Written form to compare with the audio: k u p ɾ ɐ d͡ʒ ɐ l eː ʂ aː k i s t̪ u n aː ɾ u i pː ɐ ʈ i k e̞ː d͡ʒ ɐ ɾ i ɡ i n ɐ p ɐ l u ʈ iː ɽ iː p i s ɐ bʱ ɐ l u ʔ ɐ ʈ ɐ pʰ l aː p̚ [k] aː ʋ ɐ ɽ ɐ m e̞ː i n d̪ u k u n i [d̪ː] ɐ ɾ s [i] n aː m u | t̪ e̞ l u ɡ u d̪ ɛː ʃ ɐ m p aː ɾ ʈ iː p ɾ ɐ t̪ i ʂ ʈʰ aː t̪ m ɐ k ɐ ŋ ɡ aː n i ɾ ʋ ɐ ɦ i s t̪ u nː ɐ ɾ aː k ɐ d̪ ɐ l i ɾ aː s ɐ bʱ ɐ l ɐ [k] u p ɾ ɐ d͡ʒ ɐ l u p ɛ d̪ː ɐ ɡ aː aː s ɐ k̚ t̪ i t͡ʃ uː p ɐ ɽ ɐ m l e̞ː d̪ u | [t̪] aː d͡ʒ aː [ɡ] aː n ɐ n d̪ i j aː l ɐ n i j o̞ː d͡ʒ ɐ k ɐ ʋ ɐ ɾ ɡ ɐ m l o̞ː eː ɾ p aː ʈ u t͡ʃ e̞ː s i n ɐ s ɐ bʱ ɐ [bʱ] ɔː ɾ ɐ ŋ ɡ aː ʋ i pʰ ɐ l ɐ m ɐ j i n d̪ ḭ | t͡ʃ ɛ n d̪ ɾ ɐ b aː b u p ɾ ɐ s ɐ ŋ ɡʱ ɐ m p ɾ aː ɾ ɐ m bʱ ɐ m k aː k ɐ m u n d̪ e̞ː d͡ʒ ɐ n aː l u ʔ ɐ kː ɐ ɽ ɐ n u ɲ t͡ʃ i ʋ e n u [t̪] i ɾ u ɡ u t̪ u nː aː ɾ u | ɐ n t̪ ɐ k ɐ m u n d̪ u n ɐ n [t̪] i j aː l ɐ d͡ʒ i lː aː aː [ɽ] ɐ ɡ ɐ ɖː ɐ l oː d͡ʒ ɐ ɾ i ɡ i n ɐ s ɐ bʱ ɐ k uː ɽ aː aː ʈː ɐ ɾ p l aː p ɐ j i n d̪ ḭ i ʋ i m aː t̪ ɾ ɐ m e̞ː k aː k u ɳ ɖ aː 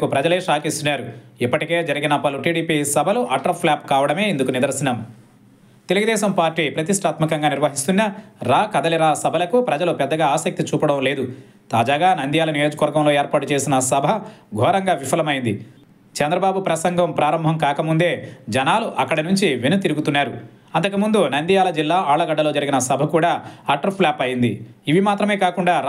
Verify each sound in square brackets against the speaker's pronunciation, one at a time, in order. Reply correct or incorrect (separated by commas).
correct, incorrect, correct, correct, correct, correct, incorrect, correct, incorrect, incorrect